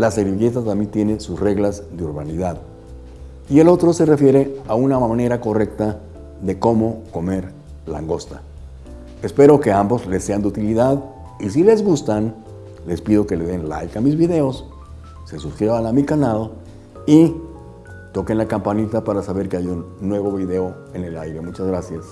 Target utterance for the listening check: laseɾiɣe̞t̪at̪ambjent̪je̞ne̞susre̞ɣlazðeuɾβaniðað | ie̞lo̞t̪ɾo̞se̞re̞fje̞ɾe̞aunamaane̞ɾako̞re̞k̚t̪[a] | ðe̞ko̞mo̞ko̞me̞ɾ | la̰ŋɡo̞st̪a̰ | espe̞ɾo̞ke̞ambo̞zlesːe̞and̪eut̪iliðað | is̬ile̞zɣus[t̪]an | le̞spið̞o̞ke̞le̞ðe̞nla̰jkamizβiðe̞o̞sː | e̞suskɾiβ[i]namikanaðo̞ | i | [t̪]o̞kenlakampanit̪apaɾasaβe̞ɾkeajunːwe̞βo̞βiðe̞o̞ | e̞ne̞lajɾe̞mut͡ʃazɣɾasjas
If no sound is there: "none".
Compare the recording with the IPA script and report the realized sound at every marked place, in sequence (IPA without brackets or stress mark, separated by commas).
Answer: a, t̪, a, t̪